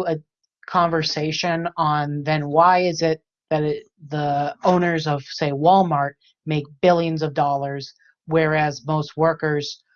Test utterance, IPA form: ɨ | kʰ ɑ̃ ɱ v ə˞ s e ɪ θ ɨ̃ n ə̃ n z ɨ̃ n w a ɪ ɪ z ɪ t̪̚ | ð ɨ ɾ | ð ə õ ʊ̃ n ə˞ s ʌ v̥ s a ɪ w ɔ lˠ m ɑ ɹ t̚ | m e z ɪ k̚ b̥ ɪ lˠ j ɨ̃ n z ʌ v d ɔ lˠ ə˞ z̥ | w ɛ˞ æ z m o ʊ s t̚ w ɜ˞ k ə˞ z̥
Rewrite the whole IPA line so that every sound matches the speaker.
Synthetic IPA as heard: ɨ | kʰ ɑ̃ ɱ v ə˞ s e ɪ ʃ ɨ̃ n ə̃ n ð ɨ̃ n w a ɪ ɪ z ɪ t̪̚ | ð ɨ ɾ | ð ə õ ʊ̃ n ə˞ z ʌ v̥ s e ɪ w ɔ lˠ m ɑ ɹ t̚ | m e ɪ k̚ b̥ ɪ lˠ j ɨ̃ n z ʌ v d ɔ lˠ ə˞ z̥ | w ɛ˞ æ z m o ʊ s t̚ w ɜ˞ k ə˞ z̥